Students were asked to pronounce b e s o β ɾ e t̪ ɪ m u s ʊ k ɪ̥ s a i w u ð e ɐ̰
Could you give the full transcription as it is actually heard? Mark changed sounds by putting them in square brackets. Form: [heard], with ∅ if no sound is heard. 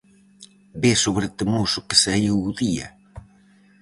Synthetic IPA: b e s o β ɾ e t̪ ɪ m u s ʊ k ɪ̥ s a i w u ð [i] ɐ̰